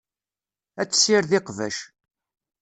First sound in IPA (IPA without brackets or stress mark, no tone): æ